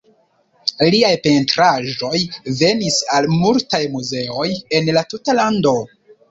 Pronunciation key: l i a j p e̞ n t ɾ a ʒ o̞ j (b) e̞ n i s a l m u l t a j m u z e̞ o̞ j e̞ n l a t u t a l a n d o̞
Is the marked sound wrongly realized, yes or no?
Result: yes